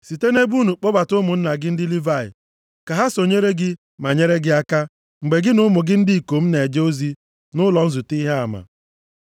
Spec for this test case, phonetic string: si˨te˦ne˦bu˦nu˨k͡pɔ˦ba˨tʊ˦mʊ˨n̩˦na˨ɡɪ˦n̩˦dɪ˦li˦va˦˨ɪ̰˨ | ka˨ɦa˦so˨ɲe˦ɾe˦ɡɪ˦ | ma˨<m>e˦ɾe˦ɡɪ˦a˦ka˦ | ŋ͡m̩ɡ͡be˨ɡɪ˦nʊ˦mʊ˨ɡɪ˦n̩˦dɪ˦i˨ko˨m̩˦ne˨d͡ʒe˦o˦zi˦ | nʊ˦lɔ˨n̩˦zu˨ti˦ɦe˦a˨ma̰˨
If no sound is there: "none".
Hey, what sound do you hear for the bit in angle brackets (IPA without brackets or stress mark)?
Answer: ɲ